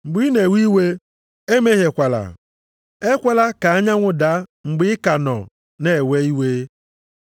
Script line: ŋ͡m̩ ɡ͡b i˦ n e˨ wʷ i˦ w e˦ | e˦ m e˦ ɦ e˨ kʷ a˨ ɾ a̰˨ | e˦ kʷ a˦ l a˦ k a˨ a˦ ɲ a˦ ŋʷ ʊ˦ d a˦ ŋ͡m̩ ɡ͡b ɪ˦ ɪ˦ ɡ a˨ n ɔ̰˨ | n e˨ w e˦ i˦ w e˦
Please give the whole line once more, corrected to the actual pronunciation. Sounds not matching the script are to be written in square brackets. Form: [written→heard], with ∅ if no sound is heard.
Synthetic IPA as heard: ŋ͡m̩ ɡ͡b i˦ n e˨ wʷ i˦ w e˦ | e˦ m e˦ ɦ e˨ kʷ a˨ [ɾ→l] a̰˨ | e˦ kʷ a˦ l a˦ k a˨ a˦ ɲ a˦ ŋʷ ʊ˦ d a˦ ŋ͡m̩ ɡ͡b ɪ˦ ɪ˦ [ɡ→k] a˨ n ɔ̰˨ | n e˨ w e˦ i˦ w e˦